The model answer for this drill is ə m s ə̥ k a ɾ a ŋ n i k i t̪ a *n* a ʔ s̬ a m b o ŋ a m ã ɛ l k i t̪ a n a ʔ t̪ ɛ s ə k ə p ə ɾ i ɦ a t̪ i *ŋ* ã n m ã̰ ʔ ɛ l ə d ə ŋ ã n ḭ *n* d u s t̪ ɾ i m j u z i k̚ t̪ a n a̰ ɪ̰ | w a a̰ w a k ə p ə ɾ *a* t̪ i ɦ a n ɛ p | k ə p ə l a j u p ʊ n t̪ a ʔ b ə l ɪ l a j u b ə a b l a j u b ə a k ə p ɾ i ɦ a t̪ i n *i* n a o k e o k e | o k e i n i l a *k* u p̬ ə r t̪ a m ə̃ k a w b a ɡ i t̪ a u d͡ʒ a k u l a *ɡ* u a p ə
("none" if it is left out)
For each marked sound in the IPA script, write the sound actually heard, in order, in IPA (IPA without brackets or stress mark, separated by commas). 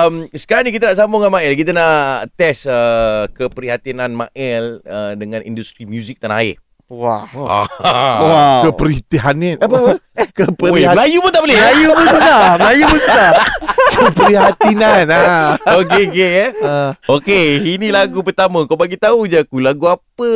n, n, n, i, a, ɡ, ɡ